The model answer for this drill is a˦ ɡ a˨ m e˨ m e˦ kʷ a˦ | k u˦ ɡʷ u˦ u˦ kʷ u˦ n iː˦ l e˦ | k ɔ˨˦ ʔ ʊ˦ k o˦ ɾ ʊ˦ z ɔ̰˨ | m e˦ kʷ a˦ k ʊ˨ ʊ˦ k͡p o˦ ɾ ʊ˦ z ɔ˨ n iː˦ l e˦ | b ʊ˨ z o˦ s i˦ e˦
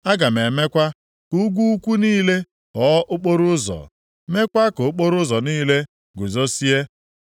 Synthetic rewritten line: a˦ ɡ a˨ m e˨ m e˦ kʷ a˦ | k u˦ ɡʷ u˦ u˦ kʷ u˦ n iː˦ l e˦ | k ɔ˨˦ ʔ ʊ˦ k͡p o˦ ɾ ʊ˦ z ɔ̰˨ | m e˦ kʷ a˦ k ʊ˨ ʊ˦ k͡p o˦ ɾ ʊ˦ z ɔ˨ n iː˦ l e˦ | ɡ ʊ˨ z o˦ s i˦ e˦